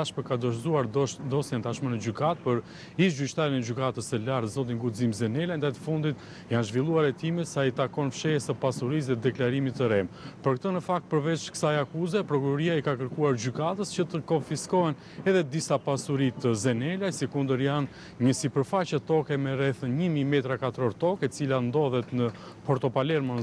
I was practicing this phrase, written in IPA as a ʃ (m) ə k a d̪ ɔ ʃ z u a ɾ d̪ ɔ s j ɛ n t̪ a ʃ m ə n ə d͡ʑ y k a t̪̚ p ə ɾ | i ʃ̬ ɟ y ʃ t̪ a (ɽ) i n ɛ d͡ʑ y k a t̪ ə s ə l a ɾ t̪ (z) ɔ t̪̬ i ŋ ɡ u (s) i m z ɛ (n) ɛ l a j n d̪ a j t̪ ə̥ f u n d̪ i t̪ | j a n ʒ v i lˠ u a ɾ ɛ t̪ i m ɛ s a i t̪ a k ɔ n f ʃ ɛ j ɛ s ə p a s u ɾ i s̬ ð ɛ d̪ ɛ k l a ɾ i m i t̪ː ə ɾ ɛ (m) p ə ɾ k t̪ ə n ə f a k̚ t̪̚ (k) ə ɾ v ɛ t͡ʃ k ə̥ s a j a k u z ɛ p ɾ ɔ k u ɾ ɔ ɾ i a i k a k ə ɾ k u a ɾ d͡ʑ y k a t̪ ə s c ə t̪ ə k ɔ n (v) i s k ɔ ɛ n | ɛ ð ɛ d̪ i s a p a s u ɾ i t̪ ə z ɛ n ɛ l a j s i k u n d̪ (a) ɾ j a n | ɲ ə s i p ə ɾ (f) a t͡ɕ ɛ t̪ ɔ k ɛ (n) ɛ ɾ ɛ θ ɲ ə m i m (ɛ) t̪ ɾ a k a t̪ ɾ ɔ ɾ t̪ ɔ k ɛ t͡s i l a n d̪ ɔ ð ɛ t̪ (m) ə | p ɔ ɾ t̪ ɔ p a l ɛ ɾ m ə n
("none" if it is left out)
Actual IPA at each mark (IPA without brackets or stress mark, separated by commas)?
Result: m, ɾ, z, z, n, m, p, f, ə, f, m, ɛ, n